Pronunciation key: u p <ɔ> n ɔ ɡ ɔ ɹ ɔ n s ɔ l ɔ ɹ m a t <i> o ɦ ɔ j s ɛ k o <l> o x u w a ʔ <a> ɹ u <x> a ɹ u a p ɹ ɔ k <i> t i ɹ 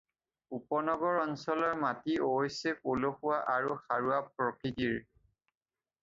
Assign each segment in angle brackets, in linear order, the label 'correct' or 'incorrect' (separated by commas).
correct, correct, correct, correct, correct, correct